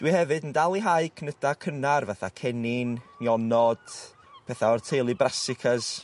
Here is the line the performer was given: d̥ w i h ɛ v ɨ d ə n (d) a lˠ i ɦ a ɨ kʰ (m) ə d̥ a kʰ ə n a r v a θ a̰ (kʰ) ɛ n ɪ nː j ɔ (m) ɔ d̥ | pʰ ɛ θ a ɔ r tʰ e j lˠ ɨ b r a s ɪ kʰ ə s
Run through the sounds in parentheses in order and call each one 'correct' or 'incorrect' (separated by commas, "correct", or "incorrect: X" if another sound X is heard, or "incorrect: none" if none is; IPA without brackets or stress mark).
correct, incorrect: n, correct, incorrect: n